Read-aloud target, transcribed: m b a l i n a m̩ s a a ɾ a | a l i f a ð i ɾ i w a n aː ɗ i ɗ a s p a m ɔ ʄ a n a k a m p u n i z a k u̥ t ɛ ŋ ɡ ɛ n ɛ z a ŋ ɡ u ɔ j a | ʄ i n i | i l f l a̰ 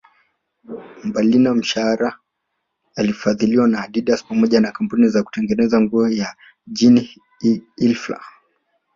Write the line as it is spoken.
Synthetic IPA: m b a l i n a m̩ ʃ a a ɾ a | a l i f a ð i l i w a n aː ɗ i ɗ a s p a m ɔ ʄ a n a k a m p u n i z a k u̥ t ɛ ŋ ɡ ɛ n ɛ z a ŋ ɡ u ɔ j a | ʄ i n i | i l f l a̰